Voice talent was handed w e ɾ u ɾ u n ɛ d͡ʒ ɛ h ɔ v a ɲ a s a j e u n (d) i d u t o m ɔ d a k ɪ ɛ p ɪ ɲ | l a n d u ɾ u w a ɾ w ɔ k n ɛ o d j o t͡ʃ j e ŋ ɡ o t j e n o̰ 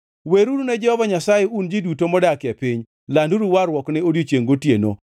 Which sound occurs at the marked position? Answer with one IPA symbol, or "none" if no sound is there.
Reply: d͡ʒ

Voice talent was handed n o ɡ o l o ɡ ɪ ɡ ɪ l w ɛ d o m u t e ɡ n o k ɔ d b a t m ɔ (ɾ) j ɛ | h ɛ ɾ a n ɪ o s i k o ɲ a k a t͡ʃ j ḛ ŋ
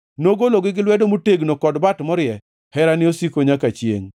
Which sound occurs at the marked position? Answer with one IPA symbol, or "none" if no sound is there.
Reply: ɾ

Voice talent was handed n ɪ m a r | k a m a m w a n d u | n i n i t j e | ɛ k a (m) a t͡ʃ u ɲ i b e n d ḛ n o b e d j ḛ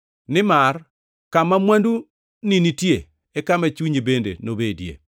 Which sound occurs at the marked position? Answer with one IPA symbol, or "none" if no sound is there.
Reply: m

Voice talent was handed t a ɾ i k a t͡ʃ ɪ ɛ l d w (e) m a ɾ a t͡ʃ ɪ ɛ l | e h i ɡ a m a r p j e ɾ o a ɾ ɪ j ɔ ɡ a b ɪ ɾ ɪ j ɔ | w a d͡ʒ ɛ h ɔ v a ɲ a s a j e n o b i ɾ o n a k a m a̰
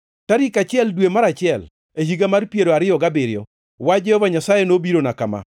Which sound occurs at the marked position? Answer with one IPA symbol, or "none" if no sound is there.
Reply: e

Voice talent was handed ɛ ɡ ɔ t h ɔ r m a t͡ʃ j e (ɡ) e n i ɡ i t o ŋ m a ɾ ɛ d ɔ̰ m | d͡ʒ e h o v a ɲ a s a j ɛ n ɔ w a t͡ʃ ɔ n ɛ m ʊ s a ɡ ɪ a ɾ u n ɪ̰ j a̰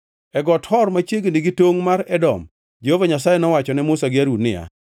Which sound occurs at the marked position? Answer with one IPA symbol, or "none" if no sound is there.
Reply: ɡ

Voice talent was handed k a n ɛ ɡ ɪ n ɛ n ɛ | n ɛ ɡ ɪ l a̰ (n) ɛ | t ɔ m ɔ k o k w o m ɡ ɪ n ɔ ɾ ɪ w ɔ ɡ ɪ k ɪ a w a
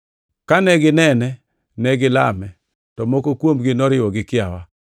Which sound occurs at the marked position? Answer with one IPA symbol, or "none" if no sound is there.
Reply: m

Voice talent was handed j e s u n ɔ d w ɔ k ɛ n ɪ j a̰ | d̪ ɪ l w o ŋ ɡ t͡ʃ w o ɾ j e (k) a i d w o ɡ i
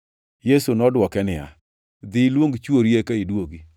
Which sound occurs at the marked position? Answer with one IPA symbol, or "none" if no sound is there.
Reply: k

